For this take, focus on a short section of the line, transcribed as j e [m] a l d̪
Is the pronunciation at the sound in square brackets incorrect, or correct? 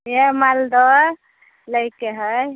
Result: correct